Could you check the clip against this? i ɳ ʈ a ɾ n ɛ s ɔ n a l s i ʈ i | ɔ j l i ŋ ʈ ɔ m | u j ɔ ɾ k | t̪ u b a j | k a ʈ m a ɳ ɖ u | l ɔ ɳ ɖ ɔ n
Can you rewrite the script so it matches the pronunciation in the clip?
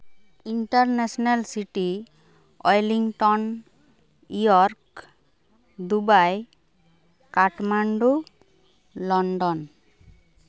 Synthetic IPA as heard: i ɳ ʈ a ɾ n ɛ s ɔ n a l s i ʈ i | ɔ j l i ŋ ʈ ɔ n | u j ɔ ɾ k | d̪ u b a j | k a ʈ m a ɳ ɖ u | l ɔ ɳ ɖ ɔ n